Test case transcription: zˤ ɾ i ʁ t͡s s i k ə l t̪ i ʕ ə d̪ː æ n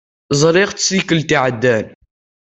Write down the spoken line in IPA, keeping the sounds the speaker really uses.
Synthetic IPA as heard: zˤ ɾ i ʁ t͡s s i k ə l t̪ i ʕ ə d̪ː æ n